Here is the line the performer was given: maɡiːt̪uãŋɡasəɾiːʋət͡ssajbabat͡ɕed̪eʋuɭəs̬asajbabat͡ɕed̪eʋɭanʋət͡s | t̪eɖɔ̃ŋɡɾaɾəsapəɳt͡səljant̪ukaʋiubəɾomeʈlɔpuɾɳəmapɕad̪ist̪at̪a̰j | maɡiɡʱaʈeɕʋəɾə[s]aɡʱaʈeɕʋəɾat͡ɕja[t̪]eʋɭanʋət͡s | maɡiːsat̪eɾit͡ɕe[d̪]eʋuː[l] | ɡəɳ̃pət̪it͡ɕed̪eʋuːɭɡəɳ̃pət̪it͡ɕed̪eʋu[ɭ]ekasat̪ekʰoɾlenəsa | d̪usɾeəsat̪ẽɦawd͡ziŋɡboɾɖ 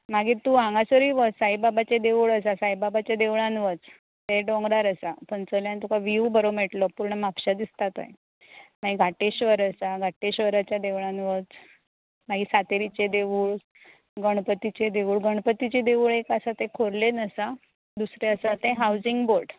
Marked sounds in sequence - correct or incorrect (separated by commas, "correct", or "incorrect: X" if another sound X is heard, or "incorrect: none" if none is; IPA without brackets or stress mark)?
correct, incorrect: d̪, correct, incorrect: ɭ, correct